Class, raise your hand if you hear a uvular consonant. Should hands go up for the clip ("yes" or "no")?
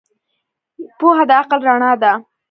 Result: yes